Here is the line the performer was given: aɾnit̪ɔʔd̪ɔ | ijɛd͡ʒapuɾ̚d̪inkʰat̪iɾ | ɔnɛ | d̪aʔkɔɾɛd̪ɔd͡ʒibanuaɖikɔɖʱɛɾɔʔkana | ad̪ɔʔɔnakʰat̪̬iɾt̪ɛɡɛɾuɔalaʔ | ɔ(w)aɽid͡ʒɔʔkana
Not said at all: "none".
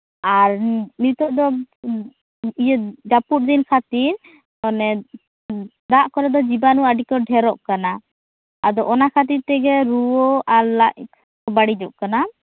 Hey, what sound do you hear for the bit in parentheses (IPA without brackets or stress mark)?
b